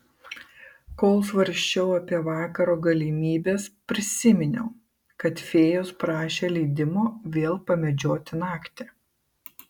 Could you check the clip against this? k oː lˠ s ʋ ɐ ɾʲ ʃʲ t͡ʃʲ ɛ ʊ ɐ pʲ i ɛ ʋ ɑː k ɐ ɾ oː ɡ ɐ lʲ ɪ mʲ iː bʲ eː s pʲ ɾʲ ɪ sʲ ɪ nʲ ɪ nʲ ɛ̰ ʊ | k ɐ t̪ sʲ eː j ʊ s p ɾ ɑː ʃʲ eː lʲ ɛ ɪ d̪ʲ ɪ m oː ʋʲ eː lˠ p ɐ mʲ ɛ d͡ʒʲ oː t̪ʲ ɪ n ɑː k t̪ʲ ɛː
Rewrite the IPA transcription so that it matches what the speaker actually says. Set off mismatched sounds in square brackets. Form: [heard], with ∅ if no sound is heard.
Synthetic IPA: k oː lˠ s ʋ ɐ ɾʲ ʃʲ t͡ʃʲ ɛ ʊ ɐ pʲ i ɛ ʋ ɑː k ɐ ɾ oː ɡ ɐ lʲ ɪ mʲ iː bʲ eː s pʲ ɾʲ ɪ sʲ ɪ [mʲ] ɪ nʲ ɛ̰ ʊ | k ɐ t̪ [fʲ] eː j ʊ s p ɾ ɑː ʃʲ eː lʲ ɛ ɪ d̪ʲ ɪ m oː ʋʲ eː lˠ p ɐ mʲ ɛ d͡ʒʲ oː t̪ʲ ɪ n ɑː k t̪ʲ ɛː